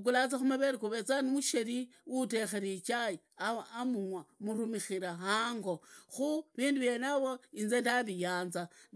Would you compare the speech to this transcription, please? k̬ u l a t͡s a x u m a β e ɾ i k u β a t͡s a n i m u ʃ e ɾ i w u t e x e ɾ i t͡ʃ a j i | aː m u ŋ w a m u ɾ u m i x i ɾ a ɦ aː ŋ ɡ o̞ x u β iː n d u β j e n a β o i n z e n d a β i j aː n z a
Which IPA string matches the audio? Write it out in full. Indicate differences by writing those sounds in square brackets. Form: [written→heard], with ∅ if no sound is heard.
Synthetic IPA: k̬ u l a t͡s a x u m a β e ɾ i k u β [a→e] t͡s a n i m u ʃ e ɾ i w u t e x e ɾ i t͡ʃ a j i | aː m u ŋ w a m u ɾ u m i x i ɾ a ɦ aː ŋ ɡ o̞ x u β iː n d u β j e n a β o i n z e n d a β i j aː n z a